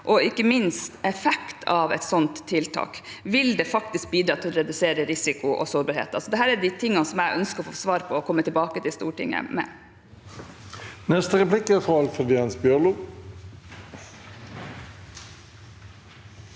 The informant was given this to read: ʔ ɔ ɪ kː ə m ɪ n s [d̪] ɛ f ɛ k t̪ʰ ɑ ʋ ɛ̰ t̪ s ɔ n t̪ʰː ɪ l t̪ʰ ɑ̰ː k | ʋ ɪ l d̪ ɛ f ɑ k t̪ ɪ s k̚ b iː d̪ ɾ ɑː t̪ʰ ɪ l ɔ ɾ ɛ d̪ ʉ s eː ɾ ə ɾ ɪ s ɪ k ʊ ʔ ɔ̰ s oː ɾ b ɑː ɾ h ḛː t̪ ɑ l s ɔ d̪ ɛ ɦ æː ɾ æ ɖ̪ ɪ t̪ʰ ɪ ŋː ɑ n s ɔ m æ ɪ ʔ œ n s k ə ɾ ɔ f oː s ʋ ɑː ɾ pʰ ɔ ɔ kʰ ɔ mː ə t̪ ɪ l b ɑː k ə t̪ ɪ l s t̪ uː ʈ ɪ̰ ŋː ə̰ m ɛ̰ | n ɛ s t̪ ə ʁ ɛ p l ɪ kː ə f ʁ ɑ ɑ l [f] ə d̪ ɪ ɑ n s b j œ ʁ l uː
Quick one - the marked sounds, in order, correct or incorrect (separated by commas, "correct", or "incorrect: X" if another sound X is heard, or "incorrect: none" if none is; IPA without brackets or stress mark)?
incorrect: t̪, correct